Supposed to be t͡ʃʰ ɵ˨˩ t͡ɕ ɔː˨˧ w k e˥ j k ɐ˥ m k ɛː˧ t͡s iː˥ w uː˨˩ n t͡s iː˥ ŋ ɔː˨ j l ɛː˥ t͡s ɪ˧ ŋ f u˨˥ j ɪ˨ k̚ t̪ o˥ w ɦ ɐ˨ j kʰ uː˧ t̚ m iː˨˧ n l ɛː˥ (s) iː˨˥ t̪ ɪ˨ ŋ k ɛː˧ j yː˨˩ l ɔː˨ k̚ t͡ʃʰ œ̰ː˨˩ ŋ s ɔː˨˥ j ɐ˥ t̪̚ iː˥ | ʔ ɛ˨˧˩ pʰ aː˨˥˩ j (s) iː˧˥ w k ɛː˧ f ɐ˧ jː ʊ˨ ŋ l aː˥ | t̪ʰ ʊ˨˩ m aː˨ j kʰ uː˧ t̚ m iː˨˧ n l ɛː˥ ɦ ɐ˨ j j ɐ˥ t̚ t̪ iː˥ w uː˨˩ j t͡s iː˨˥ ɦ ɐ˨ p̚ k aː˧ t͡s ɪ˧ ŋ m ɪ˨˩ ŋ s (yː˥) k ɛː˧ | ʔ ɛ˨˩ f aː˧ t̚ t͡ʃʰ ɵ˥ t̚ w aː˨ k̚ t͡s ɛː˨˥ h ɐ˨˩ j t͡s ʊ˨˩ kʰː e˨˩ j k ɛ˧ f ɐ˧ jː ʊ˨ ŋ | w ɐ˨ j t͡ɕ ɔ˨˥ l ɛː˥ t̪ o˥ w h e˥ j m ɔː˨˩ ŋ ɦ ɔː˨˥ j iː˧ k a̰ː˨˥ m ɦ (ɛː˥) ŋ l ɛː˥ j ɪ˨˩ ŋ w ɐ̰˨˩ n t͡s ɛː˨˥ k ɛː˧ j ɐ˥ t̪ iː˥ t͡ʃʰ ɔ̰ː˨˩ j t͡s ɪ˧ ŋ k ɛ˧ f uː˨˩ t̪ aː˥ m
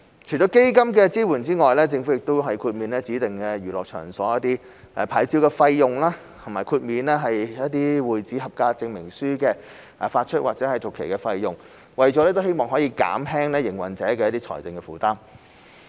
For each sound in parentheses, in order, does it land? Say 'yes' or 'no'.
no, no, yes, yes

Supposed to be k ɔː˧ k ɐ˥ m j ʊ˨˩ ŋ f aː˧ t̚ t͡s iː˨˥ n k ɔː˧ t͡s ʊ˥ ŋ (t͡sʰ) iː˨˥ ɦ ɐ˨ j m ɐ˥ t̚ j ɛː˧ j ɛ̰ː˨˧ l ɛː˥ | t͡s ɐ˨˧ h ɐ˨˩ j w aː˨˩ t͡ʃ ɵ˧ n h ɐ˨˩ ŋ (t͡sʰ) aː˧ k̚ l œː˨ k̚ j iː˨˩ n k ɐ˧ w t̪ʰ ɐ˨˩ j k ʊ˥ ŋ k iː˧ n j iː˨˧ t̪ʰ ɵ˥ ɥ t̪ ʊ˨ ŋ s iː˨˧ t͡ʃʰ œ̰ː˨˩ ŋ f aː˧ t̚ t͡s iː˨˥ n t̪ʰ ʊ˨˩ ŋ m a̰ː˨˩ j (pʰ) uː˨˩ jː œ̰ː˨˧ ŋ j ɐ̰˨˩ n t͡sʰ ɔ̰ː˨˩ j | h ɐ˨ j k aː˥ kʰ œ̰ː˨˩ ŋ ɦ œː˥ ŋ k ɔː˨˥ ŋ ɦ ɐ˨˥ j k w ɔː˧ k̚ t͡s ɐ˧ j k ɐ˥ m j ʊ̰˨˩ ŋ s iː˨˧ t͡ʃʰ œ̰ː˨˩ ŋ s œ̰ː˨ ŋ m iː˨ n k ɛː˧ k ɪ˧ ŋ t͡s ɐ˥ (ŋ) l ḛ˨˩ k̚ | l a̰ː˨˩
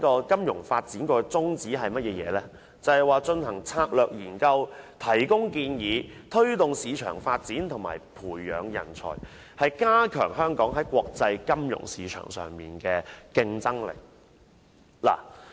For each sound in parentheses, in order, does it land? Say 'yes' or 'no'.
no, yes, yes, yes

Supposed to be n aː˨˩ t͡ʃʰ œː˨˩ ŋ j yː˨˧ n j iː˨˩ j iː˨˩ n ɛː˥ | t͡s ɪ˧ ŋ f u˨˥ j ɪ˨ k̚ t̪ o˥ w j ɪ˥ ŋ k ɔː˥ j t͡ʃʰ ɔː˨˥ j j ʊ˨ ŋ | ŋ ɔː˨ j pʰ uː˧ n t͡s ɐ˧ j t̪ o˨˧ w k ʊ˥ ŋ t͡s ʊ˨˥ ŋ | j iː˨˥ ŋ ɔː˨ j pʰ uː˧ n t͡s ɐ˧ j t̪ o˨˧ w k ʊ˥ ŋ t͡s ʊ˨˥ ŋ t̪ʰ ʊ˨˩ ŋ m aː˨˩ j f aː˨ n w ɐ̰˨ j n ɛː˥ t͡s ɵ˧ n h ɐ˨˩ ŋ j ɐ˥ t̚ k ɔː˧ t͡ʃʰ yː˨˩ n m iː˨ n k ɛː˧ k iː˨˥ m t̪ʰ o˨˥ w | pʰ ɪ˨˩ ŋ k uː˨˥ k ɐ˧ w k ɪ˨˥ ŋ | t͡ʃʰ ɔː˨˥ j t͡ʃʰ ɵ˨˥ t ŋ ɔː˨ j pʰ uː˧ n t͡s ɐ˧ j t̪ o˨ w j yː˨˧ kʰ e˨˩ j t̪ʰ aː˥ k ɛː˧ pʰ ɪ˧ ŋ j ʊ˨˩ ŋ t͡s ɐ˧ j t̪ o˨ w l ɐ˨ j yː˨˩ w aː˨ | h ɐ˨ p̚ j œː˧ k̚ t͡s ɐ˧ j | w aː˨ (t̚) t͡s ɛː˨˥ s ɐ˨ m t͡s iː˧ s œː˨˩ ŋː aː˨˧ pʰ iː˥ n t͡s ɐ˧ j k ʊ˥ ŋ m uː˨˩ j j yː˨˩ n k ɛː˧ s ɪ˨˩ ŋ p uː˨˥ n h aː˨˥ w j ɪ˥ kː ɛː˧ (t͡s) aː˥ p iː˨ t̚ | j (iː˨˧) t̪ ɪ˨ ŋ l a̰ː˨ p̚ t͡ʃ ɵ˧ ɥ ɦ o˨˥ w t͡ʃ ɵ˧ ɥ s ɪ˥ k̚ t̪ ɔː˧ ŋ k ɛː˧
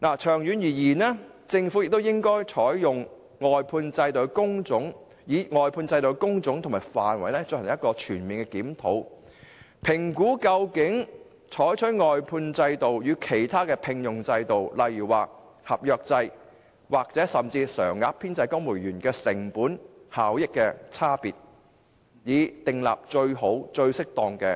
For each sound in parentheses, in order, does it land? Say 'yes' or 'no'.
no, no, yes

